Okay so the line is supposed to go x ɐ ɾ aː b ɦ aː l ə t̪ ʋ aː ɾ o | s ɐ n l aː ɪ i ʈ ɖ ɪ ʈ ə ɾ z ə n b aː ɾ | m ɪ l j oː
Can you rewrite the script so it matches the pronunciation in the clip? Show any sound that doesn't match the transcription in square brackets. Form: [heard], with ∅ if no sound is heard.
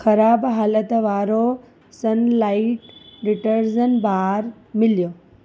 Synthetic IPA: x ɐ ɾ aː b ɦ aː l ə t̪ ʋ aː ɾ o | s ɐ n l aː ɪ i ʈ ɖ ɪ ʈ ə ɾ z ə n b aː ɾ | m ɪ l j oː

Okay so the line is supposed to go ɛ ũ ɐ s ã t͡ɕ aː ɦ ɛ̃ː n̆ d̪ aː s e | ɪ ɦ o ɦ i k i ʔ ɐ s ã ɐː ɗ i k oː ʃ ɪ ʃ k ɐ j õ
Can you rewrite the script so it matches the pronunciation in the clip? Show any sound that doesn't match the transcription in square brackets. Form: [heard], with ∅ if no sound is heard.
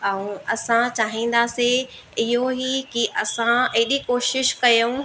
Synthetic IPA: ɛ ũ ɐ s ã t͡ɕ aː ɦ [ĩː] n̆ d̪ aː s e | ɪ ɦ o ɦ i k i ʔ ɐ s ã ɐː ɗ i k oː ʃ ɪ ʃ k ɐ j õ

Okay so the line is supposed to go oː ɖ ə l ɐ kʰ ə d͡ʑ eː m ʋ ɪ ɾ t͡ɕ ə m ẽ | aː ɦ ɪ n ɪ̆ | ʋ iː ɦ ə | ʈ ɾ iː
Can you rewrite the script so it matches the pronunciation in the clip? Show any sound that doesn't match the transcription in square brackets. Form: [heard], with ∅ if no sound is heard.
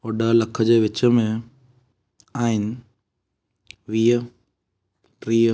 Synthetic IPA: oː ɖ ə l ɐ kʰ ə d͡ʑ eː [∅] ʋ ɪ [∅] t͡ɕ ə m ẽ | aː ɦ ɪ n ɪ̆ | ʋ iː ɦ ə | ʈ ɾ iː

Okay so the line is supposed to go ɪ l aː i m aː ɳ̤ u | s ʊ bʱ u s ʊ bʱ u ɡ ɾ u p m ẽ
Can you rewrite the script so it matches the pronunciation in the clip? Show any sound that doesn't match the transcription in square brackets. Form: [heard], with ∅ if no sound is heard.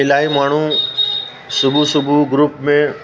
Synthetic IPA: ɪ l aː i m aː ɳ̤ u | s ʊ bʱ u s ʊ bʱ u ɡ ɾ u p m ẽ

